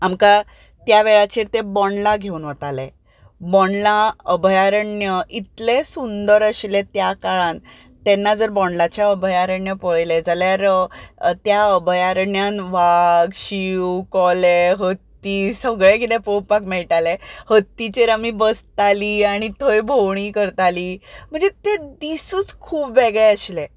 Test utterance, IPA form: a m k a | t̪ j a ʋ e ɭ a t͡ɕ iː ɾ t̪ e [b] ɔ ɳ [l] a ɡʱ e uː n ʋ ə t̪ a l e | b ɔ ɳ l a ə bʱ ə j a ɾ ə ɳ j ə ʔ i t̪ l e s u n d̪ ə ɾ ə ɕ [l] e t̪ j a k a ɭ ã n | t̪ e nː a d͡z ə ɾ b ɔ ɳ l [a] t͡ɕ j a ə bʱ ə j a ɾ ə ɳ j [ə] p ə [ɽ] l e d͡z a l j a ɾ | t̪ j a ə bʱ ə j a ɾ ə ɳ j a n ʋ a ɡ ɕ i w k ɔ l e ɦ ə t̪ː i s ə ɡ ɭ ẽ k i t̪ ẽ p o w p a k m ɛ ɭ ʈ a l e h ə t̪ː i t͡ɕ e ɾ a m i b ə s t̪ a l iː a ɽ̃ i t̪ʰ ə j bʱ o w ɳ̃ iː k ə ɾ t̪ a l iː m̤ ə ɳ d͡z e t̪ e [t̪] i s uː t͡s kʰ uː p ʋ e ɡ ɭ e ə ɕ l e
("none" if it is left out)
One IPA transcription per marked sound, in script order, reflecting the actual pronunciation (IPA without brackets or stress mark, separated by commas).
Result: b, l, l, a, ə, ɭ, d̪